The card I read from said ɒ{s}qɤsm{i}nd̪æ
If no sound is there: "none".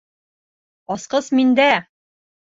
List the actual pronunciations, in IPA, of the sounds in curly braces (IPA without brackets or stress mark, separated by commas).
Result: s, i